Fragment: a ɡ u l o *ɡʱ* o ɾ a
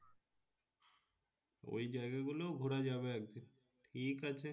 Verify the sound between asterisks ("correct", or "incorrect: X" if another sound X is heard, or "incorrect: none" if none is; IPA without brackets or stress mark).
correct